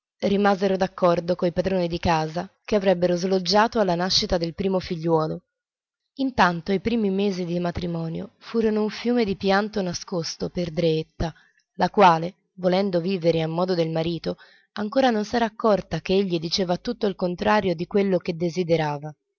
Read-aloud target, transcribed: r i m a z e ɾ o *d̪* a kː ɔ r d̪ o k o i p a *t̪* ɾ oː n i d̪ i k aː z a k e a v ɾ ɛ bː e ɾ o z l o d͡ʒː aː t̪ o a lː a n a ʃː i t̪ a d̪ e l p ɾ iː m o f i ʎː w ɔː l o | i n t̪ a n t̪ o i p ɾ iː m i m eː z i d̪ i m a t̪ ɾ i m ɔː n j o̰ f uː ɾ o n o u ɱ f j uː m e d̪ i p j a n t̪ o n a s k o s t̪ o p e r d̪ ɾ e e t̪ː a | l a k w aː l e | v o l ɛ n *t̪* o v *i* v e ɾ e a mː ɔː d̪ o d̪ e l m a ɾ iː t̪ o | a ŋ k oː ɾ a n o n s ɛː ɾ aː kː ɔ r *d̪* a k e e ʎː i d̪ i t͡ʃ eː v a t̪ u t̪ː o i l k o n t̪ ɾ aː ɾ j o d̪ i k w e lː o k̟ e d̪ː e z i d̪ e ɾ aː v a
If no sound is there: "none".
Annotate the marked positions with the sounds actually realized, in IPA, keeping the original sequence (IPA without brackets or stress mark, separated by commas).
d̪, d̪, d̪, iː, t̪